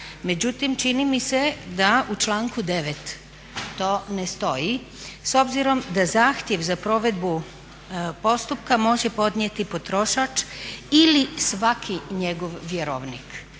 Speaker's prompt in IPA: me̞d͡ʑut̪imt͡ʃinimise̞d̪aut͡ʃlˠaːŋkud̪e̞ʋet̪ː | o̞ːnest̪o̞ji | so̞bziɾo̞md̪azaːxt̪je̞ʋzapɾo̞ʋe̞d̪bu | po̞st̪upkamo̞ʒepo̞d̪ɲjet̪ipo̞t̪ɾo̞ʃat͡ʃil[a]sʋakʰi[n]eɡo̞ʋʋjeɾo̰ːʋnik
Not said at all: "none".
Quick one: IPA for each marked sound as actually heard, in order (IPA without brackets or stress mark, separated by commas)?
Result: i, ɲ